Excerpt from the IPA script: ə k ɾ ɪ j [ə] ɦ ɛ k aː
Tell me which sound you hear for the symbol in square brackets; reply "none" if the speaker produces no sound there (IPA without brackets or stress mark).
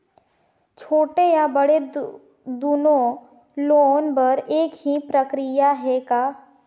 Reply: a